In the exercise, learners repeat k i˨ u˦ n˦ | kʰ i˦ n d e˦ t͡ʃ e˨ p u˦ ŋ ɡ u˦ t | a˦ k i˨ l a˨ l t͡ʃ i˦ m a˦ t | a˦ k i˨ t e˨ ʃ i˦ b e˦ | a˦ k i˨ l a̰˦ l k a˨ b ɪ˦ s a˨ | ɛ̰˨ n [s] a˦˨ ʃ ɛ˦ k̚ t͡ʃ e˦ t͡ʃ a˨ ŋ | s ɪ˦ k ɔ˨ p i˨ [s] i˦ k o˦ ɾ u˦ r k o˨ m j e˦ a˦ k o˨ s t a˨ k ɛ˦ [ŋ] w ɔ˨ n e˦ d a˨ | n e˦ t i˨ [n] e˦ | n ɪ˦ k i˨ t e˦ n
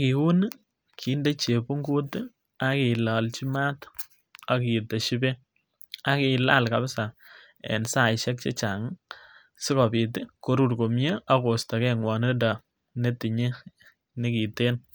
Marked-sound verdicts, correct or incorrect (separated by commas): correct, incorrect, correct, incorrect